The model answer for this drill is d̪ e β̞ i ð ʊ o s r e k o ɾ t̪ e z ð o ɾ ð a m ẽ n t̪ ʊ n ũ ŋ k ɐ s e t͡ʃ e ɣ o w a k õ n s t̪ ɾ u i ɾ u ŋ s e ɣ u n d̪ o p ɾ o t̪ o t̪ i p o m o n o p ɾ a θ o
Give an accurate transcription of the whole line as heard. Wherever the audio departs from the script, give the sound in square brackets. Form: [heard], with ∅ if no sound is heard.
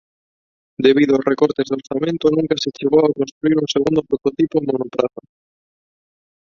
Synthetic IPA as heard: d̪ e β̞ i ð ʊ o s r e k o ɾ t̪ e z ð o ɾ [θ] a m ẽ n t̪ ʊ n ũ ŋ k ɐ s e t͡ʃ e ɣ o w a k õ n s t̪ ɾ u i ɾ u ŋ s e ɣ u n d̪ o p ɾ o t̪ o t̪ i p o m o n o p ɾ a θ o